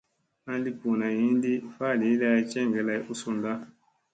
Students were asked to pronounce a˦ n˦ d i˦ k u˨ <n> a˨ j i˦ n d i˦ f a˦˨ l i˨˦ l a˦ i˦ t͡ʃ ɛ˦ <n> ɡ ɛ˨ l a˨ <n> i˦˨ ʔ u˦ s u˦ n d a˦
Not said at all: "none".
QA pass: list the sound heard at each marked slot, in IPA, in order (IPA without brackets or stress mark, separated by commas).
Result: n, ŋ, none